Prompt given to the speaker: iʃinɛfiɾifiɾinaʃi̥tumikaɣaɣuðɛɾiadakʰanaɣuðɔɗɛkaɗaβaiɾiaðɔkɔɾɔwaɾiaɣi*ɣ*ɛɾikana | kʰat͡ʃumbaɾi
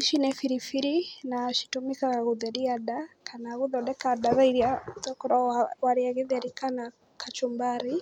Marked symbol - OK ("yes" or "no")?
no